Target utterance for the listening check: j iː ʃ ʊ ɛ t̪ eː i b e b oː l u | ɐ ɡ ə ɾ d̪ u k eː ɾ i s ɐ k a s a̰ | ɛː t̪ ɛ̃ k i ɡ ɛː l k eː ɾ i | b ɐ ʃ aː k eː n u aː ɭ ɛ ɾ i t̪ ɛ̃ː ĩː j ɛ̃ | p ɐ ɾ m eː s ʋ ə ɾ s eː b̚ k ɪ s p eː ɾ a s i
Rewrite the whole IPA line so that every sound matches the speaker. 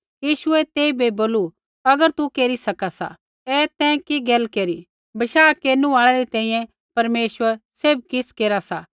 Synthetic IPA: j iː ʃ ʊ ɛ t̪ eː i b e b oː l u | ɐ ɡ ə ɾ t̪ u k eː ɾ i s ɐ k a s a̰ | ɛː t̪ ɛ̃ k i ɡ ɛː l k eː ɾ i | b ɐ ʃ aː k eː n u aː ɭ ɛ ɾ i t̪ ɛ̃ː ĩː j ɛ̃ | p ɐ ɾ m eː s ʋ ə ɾ s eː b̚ k ɪ s k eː ɾ a s a